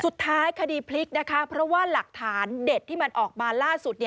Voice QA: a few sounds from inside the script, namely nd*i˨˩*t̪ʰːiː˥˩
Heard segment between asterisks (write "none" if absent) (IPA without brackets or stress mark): e˨˩